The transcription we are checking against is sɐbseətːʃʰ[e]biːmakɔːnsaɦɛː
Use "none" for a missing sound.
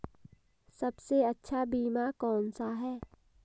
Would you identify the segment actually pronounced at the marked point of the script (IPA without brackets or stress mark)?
a